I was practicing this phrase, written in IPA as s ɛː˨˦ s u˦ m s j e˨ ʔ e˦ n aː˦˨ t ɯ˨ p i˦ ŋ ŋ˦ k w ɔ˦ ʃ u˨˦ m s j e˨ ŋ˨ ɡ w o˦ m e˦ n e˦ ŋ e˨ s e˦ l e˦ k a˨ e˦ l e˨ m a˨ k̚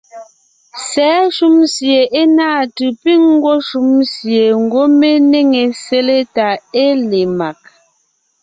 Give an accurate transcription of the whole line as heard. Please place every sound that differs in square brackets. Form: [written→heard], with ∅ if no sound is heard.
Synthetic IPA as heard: s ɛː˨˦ [s→ʃ] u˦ m s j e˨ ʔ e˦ n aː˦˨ t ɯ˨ p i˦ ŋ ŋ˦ [k→ɡ] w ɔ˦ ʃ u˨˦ m s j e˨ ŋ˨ ɡ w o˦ m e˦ n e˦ ŋ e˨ s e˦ l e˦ [k→t] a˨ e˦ l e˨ m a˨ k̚